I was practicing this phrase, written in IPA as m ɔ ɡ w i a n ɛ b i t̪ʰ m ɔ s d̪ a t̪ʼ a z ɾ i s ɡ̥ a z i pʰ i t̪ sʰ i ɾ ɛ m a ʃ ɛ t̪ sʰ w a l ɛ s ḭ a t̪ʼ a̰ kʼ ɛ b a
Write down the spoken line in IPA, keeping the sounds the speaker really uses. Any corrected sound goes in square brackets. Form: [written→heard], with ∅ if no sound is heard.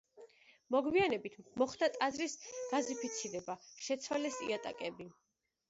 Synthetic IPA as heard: m ɔ ɡ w i a n ɛ b i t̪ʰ m ɔ [s→χ] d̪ a t̪ʼ a z ɾ i s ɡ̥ a z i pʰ i t̪ sʰ i ɾ ɛ [m→b] a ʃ ɛ t̪ sʰ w a l ɛ s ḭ a t̪ʼ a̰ kʼ ɛ b [a→i]